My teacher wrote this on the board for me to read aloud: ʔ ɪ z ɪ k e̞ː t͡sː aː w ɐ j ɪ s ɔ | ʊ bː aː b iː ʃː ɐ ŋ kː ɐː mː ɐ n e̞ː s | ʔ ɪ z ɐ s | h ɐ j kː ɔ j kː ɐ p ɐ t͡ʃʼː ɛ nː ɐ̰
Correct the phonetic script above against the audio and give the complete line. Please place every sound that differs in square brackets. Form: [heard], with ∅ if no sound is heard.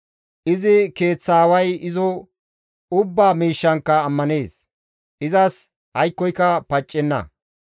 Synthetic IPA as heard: ʔ ɪ z ɪ k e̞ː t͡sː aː w ɐ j ɪ [z] ɔ | ʊ bː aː [m] iː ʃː ɐ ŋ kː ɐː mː ɐ n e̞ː s | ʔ ɪ z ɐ s | h ɐ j kː ɔ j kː ɐ p ɐ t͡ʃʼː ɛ nː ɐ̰